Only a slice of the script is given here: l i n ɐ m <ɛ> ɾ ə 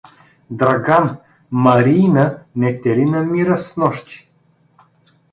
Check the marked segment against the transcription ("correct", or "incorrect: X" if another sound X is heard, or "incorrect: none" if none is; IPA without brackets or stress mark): incorrect: i